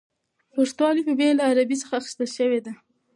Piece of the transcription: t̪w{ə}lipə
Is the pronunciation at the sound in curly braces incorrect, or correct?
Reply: incorrect